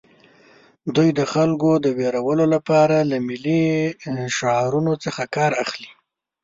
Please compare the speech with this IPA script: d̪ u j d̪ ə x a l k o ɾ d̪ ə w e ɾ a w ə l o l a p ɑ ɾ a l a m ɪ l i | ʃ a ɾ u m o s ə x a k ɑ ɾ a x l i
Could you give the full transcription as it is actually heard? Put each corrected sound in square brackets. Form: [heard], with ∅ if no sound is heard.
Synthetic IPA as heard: d̪ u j d̪ ə x a l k o [∅] d̪ ə w e ɾ a w ə l o l a p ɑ ɾ a l a m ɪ l i | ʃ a ɾ u [n] o [t͡s] ə x a k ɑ ɾ a x l i